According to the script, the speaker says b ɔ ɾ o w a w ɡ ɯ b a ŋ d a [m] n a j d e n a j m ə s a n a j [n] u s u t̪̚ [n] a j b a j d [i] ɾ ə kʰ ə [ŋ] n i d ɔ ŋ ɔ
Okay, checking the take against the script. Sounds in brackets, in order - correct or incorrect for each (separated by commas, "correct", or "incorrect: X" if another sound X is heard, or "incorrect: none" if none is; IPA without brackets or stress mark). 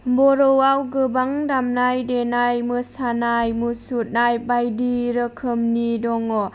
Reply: correct, incorrect: m, correct, correct, incorrect: m